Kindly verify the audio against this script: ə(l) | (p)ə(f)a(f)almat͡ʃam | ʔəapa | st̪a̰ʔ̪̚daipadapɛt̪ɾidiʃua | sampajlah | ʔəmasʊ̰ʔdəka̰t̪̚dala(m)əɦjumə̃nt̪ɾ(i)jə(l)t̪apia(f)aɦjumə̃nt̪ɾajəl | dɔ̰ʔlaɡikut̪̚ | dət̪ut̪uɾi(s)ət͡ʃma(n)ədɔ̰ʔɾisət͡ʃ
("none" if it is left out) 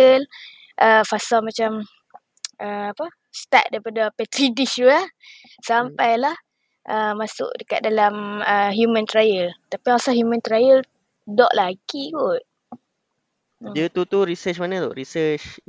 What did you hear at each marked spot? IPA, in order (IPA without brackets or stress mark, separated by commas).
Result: l, ʔ, f, s, m, a, l, s, s, n